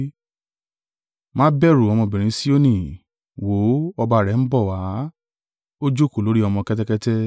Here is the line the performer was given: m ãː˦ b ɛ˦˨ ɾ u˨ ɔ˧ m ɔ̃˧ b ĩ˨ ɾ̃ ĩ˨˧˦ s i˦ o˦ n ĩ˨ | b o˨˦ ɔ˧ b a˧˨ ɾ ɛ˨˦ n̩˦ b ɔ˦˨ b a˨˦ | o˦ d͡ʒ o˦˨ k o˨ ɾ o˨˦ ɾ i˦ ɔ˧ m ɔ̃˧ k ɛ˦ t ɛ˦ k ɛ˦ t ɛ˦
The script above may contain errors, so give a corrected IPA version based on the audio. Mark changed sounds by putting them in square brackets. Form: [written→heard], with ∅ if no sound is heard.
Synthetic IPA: m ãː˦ b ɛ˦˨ ɾ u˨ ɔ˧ m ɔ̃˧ b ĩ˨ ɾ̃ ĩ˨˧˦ s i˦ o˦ n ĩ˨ | [b→w] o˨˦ ɔ˧ b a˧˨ ɾ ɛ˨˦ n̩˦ b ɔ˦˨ [b→w] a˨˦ | o˦ d͡ʒ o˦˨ k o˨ [ɾ→l] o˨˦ ɾ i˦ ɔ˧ m ɔ̃˧ k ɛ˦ t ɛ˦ k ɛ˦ t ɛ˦

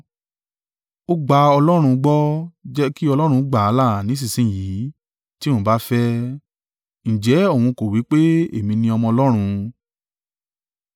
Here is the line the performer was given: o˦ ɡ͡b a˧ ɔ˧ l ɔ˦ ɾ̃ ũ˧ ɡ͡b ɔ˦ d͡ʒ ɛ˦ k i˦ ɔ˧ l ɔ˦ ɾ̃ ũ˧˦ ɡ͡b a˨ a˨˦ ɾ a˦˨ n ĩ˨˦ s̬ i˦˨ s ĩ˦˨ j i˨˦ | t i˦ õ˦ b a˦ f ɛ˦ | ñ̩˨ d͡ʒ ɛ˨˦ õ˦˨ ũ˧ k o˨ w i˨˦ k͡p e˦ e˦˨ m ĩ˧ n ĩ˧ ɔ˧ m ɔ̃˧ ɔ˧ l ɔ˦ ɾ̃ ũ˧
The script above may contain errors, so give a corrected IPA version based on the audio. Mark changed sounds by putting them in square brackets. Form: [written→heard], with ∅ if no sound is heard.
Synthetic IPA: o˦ ɡ͡b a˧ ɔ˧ l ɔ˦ ɾ̃ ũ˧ ɡ͡b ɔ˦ d͡ʒ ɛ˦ k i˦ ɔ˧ l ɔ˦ ɾ̃ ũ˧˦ ɡ͡b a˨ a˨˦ [ɾ→l] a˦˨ n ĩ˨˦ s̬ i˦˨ s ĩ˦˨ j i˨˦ | t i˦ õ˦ b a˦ f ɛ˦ | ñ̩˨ d͡ʒ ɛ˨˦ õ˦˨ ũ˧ k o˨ w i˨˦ k͡p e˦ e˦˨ m ĩ˧ n ĩ˧ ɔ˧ m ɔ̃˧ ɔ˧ l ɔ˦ ɾ̃ ũ˧

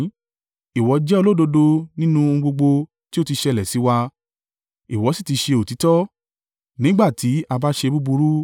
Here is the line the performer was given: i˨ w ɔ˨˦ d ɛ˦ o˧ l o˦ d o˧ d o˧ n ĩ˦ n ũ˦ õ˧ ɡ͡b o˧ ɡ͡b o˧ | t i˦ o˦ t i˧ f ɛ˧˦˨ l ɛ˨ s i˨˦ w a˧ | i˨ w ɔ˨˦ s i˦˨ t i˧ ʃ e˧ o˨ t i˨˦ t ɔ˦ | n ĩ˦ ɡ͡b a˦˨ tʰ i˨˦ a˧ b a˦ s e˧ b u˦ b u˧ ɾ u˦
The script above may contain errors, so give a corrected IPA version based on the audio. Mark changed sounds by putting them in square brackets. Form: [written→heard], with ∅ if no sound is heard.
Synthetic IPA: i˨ w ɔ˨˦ [d→d͡ʒ] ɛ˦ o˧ l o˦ d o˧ d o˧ n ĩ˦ n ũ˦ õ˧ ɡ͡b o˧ ɡ͡b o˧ | t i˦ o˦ t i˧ [f→ʃ] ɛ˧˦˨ l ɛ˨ s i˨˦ w a˧ | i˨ w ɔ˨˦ s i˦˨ t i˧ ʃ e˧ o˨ t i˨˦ t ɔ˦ | n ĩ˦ ɡ͡b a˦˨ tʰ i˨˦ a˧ b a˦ [s→ʃ] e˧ b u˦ b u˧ ɾ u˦

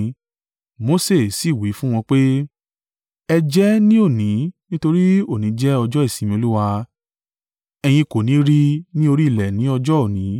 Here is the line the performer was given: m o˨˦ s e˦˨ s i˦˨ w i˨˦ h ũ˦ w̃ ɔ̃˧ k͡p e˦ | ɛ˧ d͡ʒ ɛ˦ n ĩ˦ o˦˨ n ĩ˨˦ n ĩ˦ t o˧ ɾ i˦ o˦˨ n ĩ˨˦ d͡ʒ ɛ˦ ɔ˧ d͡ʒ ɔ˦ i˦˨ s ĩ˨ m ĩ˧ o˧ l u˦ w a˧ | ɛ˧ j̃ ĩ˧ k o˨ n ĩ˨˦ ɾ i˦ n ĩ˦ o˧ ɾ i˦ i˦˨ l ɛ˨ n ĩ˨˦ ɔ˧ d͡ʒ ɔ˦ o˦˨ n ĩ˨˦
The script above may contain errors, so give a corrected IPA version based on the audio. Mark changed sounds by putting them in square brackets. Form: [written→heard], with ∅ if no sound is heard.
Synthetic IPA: m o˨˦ s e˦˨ s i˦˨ w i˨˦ [h→f] ũ˦ w̃ ɔ̃˧ k͡p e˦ | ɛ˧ d͡ʒ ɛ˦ n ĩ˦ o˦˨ n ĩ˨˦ n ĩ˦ t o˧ ɾ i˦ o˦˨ n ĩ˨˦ d͡ʒ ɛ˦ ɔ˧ d͡ʒ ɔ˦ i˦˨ s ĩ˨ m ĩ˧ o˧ l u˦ w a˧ | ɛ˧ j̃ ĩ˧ k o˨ n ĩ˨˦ ɾ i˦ n ĩ˦ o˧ ɾ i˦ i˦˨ l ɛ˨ n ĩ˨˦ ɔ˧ d͡ʒ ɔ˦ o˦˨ n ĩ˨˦

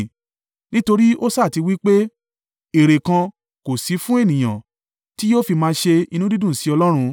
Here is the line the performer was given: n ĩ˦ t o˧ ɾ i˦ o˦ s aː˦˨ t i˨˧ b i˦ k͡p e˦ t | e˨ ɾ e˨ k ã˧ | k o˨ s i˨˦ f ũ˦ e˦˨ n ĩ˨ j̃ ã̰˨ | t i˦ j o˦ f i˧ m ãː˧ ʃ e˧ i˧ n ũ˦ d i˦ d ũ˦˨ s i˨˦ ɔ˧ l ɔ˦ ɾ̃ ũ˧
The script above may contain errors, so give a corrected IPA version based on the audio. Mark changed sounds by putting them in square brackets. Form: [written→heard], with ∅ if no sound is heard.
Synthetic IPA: n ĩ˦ t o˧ ɾ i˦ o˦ s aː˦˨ t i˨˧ [b→w] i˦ k͡p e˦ [t→∅] | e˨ ɾ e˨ k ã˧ | k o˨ s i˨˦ f ũ˦ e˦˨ n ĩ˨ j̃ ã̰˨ | t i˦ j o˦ f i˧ m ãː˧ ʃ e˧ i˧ n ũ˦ d i˦ d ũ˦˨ s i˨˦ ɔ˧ l ɔ˦ ɾ̃ ũ˧

